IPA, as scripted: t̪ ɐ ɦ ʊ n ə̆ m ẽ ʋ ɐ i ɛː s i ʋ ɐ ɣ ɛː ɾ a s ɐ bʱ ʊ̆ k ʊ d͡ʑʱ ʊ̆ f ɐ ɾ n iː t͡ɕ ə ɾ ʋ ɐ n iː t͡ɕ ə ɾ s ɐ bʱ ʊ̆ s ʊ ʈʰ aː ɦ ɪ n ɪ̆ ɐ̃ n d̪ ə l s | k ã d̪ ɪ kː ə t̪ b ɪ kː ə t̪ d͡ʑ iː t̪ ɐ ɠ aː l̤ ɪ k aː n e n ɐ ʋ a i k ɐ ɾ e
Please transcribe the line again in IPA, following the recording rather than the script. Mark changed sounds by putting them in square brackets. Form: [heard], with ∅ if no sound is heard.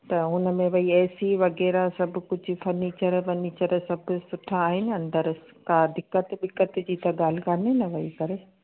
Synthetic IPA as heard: t̪ ɐ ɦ ʊ n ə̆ m ẽ ʋ ɐ i ɛː s i ʋ ɐ ɣ ɛː ɾ a s ɐ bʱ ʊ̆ k ʊ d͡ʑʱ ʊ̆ f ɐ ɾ n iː t͡ɕ ə ɾ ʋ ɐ n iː t͡ɕ ə ɾ s ɐ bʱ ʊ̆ s ʊ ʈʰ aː ɦ ɪ n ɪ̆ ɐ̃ n d̪ ə [ɾ] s | k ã d̪ ɪ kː ə t̪ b ɪ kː ə t̪ d͡ʑ iː t̪ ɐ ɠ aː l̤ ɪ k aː n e n ɐ ʋ [ɐ] i k ɐ ɾ e

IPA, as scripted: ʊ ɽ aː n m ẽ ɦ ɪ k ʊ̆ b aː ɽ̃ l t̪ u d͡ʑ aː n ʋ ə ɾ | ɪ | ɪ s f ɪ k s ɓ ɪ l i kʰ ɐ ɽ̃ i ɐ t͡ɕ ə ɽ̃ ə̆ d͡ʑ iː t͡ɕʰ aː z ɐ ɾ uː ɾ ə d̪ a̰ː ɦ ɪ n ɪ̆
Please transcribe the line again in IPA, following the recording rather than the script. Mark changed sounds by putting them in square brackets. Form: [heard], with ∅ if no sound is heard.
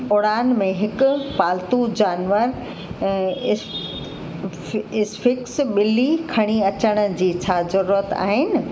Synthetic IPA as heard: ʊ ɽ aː n m ẽ ɦ ɪ k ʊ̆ [p] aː [∅] l t̪ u d͡ʑ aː n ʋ ə ɾ | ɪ | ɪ s f ɪ k s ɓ ɪ l i kʰ ɐ ɽ̃ i ɐ t͡ɕ ə ɽ̃ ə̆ d͡ʑ iː t͡ɕʰ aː z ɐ ɾ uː ɾ ə [t̪] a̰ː ɦ ɪ n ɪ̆

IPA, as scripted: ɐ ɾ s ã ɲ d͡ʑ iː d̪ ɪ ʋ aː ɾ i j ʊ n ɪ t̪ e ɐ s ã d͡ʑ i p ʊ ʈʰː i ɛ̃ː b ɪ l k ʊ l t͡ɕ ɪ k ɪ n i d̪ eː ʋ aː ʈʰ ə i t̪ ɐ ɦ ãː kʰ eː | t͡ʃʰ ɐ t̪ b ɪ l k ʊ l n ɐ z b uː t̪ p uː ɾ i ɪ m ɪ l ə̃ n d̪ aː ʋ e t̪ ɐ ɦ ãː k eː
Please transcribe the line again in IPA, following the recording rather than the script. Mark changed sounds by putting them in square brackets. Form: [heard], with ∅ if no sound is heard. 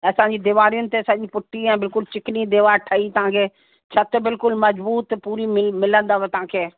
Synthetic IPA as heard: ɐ [∅] s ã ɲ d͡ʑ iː d̪ ɪ ʋ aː ɾ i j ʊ n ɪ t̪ e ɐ s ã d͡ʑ i p ʊ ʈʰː i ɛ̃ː b ɪ l k ʊ l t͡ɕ ɪ k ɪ n i d̪ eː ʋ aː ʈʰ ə i t̪ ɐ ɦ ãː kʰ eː | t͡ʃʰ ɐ t̪ b ɪ l k ʊ l [m] ɐ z b uː t̪ p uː ɾ i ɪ m ɪ l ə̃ n d̪ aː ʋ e t̪ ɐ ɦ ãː [kʰ] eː

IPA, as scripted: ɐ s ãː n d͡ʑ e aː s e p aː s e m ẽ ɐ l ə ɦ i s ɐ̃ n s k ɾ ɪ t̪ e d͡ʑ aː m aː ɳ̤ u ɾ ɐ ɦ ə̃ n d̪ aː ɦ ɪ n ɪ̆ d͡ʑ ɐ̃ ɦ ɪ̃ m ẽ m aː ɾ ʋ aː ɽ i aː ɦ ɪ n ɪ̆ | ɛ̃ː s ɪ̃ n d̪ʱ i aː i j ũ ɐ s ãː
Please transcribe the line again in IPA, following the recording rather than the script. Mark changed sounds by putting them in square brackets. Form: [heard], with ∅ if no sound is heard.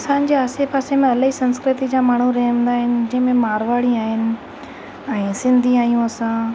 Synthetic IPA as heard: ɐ s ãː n d͡ʑ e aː s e p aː s e m ẽ ɐ l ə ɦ i s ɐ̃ n s k ɾ ɪ t̪ [i] d͡ʑ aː m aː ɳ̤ u ɾ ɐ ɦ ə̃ n d̪ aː ɦ ɪ n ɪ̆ d͡ʑ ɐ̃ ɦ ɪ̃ m ẽ m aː ɾ ʋ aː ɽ i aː ɦ ɪ n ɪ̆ | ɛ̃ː s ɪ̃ n d̪ʱ i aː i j ũ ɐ s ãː

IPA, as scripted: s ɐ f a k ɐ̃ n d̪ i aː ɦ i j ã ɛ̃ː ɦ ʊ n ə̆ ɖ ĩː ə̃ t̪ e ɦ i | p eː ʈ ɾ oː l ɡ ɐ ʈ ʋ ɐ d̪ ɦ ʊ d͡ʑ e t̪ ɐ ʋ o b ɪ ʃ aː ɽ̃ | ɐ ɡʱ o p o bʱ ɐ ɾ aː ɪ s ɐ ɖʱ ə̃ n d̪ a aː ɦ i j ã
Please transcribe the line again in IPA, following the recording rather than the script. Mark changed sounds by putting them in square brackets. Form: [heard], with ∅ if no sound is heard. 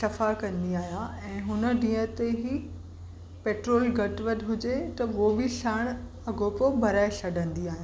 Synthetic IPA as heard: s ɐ f a k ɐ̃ n d̪ i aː ɦ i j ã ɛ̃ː ɦ ʊ n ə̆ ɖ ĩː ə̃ t̪ e ɦ i | p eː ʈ ɾ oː l ɡ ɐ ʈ ʋ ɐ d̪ ɦ ʊ d͡ʑ e t̪ ɐ ʋ o b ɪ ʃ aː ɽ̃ | ɐ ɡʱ o p o bʱ ɐ ɾ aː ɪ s ɐ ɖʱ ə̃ n d̪ [i] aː ɦ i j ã

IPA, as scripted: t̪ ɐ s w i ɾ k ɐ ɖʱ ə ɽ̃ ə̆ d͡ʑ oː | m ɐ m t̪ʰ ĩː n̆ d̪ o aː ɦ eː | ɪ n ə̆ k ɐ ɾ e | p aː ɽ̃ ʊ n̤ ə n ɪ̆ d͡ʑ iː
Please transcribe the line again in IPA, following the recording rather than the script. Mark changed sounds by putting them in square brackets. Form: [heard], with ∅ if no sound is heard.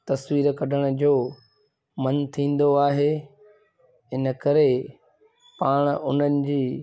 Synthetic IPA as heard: t̪ ɐ s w [iː] ɾ k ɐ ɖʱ ə ɽ̃ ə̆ d͡ʑ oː | m ɐ [n] t̪ʰ ĩː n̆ d̪ o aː ɦ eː | ɪ n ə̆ k ɐ ɾ e | p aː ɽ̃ ʊ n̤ ə n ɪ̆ d͡ʑ iː

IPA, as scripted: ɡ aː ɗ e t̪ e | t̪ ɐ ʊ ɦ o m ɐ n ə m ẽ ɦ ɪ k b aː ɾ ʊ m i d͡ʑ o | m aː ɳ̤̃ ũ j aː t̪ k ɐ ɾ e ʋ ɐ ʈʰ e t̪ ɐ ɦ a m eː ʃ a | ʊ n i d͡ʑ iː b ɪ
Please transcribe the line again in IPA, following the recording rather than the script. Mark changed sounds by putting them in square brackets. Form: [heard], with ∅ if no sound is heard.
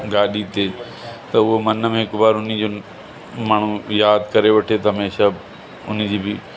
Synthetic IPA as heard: ɡ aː ɗ [i] t̪ e | t̪ ɐ ʊ ɦ o m ɐ n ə m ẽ ɦ ɪ k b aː ɾ ʊ [n] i d͡ʑ o | m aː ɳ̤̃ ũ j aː [d̪] k ɐ ɾ e ʋ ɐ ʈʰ e t̪ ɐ ɦ [ɐ] m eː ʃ a | ʊ n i d͡ʑ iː b ɪ

